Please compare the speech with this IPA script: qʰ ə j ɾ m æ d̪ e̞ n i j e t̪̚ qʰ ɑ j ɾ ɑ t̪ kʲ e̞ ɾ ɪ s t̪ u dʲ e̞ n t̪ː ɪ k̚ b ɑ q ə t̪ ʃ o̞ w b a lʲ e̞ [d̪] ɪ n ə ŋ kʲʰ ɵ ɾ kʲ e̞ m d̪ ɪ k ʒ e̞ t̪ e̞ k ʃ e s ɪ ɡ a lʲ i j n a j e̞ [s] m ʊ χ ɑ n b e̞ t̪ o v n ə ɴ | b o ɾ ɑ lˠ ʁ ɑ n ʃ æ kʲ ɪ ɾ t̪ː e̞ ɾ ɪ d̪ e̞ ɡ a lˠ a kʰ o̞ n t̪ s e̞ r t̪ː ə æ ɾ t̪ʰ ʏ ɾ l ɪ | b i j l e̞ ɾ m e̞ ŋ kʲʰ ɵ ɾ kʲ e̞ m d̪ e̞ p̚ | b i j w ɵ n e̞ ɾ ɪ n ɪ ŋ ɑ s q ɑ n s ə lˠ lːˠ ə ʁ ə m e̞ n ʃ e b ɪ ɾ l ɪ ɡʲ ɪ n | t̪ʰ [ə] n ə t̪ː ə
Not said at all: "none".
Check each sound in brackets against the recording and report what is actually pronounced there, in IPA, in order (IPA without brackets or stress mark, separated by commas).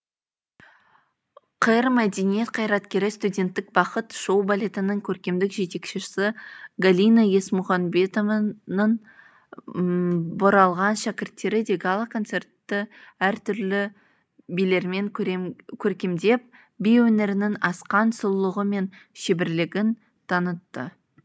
t̪, s, ɑ